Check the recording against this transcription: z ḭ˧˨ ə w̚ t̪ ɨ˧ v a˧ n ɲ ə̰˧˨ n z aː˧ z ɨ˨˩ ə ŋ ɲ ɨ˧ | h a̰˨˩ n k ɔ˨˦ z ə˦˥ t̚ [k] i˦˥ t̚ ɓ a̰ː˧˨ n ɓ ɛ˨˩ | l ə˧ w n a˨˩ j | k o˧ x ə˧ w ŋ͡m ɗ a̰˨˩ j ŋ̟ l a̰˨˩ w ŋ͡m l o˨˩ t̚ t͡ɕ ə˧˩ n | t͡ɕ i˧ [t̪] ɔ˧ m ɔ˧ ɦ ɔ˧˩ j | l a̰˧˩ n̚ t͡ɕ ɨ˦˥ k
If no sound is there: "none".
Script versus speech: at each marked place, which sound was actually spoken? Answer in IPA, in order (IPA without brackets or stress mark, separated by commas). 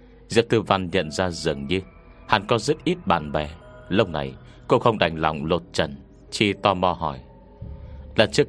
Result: ʔ, t̪